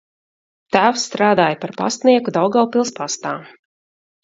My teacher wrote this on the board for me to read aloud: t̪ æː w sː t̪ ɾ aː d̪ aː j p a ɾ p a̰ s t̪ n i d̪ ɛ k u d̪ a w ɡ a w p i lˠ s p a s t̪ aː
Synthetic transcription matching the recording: t̪ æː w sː t̪ ɾ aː d̪ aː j p a ɾ p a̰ s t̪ n i ɛ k u d̪ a w ɡ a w p i lˠ s p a s t̪ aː